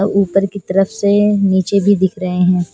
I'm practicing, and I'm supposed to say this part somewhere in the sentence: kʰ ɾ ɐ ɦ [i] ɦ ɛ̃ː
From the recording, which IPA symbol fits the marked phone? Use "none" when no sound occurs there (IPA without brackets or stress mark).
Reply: e